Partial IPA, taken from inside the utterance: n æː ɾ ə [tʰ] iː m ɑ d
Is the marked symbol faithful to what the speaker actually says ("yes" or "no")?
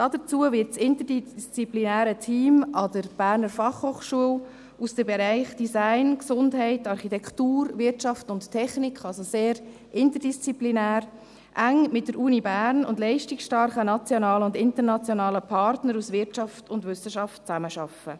yes